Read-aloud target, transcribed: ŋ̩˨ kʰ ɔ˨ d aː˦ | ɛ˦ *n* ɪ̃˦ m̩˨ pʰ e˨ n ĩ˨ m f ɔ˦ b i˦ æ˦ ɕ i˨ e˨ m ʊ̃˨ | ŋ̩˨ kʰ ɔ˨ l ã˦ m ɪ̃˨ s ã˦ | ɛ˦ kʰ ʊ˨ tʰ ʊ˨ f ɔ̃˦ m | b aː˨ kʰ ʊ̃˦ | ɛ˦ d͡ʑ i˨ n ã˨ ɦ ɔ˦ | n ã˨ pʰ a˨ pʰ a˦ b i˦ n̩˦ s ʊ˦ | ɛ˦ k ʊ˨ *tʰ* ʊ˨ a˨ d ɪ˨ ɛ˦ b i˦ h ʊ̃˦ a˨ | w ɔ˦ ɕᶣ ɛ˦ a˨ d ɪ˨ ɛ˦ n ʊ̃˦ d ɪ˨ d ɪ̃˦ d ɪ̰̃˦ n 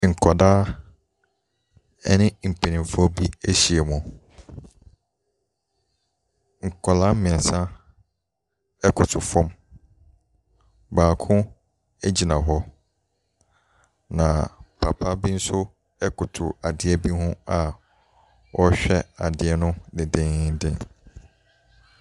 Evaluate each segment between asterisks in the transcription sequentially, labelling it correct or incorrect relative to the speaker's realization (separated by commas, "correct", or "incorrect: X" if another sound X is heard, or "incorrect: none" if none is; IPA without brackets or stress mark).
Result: correct, correct